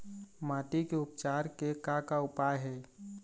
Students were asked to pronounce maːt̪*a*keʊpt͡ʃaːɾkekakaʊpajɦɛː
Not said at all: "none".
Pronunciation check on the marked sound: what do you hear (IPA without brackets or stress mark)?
i